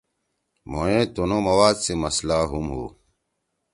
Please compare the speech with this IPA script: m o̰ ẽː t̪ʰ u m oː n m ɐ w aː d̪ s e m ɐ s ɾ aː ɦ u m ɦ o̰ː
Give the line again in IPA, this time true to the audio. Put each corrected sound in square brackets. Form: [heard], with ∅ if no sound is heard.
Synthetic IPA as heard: m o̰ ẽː [t̪] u [n] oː [∅] m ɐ w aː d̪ s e m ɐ s [l] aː ɦ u m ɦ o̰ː